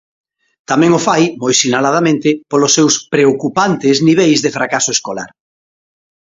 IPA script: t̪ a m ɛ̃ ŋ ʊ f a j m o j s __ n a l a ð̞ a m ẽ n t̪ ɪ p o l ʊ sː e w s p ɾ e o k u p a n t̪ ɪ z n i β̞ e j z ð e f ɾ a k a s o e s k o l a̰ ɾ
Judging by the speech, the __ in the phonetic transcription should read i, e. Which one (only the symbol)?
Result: i